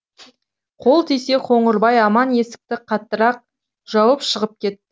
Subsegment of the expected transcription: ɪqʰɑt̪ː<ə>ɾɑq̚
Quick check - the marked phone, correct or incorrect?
correct